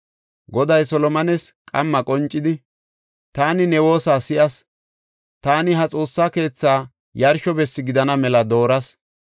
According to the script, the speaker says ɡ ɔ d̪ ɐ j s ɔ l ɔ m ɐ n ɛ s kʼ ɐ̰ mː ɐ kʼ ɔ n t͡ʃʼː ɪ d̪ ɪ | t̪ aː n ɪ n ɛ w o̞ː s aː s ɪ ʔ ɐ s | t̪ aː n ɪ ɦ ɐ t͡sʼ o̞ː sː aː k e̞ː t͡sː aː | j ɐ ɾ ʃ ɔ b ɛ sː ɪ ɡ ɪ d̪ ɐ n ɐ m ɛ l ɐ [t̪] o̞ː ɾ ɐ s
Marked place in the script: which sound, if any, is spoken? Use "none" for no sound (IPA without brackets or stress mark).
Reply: d̪